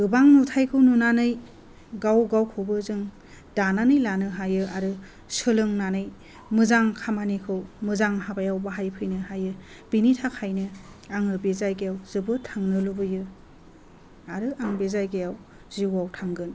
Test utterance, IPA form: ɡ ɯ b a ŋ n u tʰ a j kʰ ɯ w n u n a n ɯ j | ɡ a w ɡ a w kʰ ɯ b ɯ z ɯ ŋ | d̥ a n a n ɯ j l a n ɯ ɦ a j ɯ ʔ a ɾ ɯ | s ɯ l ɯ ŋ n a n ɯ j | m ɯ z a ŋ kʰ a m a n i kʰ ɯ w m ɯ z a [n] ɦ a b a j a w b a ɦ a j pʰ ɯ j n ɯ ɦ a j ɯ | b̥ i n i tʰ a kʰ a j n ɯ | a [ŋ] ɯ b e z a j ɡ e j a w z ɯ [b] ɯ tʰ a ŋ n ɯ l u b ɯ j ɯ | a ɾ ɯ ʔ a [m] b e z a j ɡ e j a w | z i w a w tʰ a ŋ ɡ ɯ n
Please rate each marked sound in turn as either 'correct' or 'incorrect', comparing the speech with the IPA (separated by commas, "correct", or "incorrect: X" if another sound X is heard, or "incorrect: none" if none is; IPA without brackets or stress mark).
incorrect: ŋ, correct, correct, incorrect: ŋ